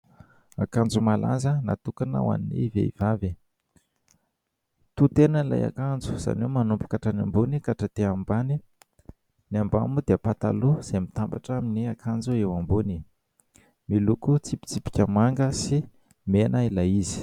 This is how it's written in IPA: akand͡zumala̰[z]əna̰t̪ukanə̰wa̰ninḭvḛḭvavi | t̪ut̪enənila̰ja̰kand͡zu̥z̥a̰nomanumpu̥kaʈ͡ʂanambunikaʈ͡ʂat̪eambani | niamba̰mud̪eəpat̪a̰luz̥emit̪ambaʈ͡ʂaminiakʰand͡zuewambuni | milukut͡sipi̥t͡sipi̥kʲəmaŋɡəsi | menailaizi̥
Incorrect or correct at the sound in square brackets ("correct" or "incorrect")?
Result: correct